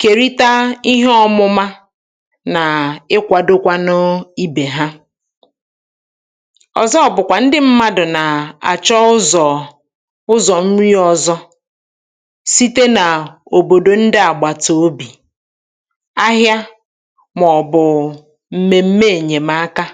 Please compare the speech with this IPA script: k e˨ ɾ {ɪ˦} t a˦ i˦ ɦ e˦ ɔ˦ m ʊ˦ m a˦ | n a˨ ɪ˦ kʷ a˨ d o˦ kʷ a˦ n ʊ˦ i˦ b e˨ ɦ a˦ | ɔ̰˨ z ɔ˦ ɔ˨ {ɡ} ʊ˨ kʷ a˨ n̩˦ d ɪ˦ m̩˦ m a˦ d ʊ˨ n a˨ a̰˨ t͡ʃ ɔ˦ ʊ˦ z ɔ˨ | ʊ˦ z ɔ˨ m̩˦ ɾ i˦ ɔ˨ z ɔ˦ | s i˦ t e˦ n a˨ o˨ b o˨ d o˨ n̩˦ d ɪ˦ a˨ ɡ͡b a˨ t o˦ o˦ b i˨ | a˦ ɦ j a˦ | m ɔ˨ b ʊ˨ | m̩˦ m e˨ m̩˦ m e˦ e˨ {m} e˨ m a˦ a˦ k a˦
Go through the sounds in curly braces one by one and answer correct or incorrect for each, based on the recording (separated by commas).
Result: incorrect, incorrect, incorrect